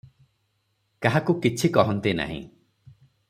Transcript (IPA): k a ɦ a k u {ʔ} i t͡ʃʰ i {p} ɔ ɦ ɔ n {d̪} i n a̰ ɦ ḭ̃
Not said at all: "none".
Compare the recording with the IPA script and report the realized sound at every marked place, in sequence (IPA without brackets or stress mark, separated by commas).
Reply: k, k, t̪